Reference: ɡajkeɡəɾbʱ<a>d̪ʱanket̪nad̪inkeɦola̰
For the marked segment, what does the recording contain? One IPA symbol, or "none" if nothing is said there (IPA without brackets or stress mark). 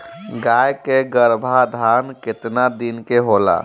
a